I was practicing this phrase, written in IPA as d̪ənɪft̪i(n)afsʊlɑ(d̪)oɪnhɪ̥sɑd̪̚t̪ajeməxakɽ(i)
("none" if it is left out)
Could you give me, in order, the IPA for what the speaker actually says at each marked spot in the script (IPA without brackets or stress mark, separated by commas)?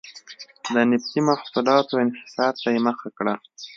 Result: m, t̪, a